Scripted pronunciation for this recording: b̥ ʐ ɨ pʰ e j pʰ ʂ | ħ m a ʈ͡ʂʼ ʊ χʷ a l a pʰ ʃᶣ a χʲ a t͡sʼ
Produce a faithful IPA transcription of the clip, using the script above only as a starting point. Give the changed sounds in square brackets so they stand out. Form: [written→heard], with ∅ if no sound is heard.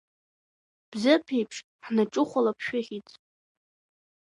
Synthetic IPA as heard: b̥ [ʐ→z] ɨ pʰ e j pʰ ʂ | ħ [m→n] a ʈ͡ʂʼ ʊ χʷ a l a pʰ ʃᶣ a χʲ [a→i] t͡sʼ